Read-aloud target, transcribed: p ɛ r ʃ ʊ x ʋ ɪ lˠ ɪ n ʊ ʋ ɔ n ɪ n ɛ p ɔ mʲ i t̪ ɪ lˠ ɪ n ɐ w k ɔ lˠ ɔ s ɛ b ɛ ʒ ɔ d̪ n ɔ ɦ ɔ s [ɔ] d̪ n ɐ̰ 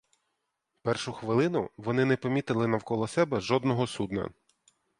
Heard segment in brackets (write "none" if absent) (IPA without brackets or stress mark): u